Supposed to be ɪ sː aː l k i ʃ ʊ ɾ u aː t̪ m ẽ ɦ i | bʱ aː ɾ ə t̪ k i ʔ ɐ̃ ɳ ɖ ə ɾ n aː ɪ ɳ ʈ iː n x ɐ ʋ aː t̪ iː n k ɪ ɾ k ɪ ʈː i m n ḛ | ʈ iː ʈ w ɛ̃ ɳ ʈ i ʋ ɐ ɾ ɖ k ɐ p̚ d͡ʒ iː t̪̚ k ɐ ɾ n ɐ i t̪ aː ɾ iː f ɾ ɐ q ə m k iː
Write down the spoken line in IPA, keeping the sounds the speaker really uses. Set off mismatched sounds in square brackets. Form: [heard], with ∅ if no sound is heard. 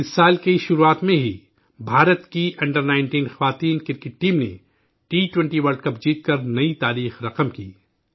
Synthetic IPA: ɪ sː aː l k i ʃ ʊ ɾ u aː t̪ m ẽ ɦ i | bʱ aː ɾ ə t̪ k i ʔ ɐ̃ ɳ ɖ ə ɾ n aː ɪ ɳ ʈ iː n x ɐ ʋ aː t̪ iː n k ɪ ɾ k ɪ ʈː [iː] m n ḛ | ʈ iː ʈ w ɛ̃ ɳ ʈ i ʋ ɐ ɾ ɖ k ɐ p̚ d͡ʒ iː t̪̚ k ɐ ɾ n ɐ i t̪ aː ɾ iː [x] ɾ ɐ q ə m k iː